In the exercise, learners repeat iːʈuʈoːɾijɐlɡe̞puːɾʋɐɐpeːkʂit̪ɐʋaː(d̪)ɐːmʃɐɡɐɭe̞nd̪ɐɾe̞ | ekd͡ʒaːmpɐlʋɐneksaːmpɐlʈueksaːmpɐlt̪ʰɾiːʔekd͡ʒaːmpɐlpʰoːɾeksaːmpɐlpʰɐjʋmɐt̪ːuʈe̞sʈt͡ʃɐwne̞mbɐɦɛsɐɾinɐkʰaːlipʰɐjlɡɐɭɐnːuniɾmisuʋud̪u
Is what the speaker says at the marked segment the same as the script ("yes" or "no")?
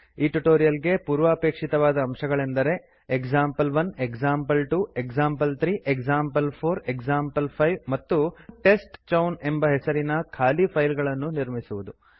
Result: yes